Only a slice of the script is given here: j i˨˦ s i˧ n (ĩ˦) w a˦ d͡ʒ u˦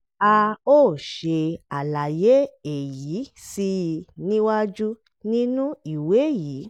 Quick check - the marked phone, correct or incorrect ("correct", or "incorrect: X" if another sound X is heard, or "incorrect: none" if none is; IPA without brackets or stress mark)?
correct